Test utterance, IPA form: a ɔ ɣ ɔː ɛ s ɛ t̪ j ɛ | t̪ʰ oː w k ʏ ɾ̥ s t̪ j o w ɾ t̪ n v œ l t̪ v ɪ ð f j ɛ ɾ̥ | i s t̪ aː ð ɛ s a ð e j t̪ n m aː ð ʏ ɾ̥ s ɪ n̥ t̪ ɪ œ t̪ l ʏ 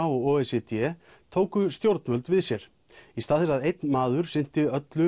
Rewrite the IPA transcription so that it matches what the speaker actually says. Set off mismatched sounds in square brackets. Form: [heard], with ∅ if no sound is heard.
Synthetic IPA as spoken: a ɔ ɣ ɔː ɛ s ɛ t̪ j ɛ | t̪ʰ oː w k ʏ [∅] s t̪ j o w ɾ t̪ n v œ l t̪ v ɪ ð [s] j ɛ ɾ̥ | i s t̪ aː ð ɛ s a ð e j t̪ n m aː ð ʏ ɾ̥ s ɪ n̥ t̪ ɪ œ t̪ l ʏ

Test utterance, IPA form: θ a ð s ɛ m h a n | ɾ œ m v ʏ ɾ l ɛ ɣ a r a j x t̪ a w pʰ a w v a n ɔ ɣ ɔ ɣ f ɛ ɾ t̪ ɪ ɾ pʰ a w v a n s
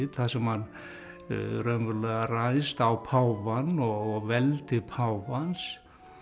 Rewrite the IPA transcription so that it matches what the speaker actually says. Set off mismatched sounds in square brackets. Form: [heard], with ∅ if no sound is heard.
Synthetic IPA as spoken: θ a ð s ɛ m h a n | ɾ œ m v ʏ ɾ l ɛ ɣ a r a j [s] t̪ a w pʰ a w v a n ɔ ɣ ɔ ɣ [v] ɛ [l] t̪ ɪ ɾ pʰ a w v a n s

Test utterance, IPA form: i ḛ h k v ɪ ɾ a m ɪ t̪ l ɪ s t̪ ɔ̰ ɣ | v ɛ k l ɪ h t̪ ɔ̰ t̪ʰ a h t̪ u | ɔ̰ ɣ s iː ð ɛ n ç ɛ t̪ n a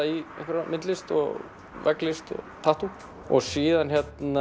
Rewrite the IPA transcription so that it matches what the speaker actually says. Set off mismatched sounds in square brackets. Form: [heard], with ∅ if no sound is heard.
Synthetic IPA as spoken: i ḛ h k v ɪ ɾ a m ɪ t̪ l ɪ s t̪ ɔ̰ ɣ | v ɛ k l ɪ [s] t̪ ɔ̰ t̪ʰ a h t̪ u | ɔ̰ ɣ s iː ð [a] n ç ɛ t̪ n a

